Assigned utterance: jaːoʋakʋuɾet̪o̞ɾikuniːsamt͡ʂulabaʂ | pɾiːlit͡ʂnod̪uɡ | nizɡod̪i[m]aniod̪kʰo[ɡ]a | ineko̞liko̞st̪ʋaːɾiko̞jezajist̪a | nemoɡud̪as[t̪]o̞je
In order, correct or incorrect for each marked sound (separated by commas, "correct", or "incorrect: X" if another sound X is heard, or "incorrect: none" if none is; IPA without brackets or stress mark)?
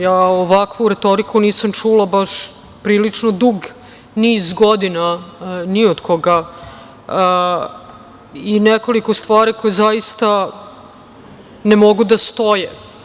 incorrect: n, correct, correct